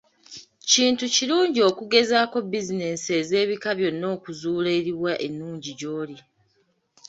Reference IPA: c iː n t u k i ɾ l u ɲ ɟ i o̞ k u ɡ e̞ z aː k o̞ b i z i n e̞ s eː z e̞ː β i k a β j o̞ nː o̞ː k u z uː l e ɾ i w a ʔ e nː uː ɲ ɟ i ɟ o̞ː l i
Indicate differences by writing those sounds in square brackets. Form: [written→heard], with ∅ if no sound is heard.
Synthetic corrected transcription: c iː n t u [k→c] i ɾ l [u→uː] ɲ ɟ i o̞ k u ɡ e̞ z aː k o̞ b i z i n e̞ s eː z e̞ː β i k a β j o̞ nː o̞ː k u z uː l e ɾ i w a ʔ e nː uː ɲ ɟ i ɟ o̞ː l i